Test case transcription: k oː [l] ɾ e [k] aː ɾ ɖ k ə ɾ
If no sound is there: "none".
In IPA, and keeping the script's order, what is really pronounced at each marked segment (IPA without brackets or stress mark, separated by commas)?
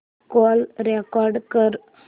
l, k